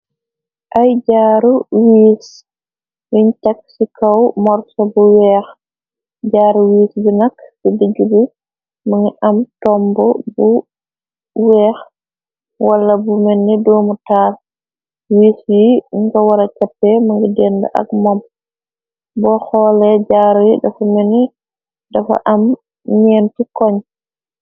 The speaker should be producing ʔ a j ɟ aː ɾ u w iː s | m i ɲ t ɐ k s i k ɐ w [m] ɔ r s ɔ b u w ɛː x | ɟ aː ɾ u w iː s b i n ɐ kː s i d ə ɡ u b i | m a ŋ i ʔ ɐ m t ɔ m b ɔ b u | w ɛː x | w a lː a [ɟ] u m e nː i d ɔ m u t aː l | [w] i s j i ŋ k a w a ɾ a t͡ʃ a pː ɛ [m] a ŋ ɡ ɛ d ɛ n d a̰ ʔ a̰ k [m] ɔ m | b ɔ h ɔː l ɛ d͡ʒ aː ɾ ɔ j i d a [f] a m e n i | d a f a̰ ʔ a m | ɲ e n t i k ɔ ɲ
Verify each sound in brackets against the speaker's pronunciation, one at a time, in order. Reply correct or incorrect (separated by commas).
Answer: correct, incorrect, correct, correct, correct, correct